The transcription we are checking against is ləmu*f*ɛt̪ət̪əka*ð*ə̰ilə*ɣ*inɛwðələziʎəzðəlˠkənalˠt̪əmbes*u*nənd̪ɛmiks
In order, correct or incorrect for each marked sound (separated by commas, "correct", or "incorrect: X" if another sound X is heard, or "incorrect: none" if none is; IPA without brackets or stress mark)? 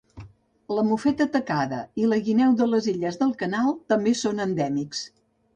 correct, correct, correct, incorrect: o